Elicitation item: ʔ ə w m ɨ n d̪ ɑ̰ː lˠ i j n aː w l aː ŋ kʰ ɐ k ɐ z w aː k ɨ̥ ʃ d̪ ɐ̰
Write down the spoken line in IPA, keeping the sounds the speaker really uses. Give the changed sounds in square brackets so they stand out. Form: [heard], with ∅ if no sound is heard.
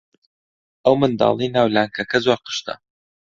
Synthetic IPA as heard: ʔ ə w m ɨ n d̪ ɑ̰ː lˠ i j n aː w l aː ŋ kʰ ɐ k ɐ z w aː [q] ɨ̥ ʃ [t̪] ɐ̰